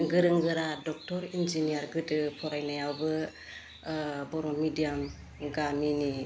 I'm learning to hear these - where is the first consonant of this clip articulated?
velum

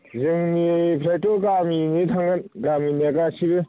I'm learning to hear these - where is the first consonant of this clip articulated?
tongue tip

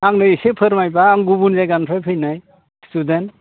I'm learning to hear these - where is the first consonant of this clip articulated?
velum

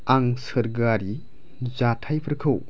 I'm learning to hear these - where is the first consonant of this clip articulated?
velum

